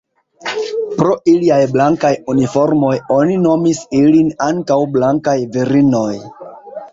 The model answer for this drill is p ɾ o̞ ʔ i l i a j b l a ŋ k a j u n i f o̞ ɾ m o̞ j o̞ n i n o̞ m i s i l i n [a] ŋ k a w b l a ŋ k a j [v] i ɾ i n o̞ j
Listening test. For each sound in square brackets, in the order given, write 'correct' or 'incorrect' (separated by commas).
correct, correct